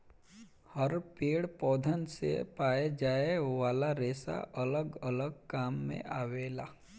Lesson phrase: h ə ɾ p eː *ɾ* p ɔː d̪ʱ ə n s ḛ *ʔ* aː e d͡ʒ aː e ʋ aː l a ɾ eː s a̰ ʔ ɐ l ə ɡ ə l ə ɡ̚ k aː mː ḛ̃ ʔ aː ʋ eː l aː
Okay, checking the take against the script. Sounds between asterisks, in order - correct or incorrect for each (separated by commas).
incorrect, incorrect